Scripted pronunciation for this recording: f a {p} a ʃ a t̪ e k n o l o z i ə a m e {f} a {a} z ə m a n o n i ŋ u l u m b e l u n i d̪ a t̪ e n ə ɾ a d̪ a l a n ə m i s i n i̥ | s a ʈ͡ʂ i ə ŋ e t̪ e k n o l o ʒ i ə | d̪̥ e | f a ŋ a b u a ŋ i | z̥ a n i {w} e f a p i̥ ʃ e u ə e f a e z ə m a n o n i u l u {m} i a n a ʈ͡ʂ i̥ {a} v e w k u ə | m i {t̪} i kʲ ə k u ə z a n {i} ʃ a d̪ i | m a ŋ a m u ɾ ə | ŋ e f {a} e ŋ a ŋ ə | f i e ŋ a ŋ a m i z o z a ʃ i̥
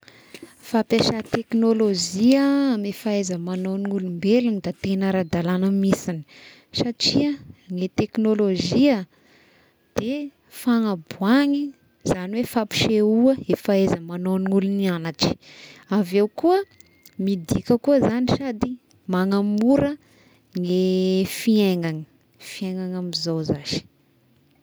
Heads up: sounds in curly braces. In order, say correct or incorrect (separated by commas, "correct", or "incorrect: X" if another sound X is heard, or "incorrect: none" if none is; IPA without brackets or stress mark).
correct, correct, incorrect: e, correct, incorrect: n, correct, incorrect: d̪, correct, incorrect: i